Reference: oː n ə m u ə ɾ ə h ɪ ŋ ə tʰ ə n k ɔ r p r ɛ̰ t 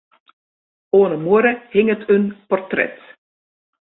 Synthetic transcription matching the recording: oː n ə m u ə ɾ ə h ɪ ŋ ə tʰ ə n p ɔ r t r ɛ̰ t